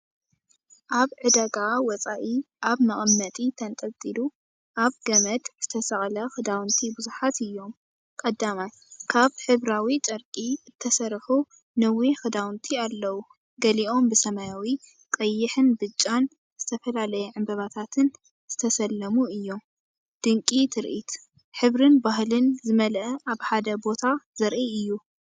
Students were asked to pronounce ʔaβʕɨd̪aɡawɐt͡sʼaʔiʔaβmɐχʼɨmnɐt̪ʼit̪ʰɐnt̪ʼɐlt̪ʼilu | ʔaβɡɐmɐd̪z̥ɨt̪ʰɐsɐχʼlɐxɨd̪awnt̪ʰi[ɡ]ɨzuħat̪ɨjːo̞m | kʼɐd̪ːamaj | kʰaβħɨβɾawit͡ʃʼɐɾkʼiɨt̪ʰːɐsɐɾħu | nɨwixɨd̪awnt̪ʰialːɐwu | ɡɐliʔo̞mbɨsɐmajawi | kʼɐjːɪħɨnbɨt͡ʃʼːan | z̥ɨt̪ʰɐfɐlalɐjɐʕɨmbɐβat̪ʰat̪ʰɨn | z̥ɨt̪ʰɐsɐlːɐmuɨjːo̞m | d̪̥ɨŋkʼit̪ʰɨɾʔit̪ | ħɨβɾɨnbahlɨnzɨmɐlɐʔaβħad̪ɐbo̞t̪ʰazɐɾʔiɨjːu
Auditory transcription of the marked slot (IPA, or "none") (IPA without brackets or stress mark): b